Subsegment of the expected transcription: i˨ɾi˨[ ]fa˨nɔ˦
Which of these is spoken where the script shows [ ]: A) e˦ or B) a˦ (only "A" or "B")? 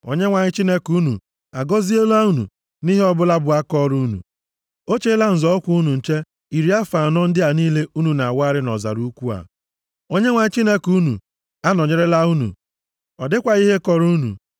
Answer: B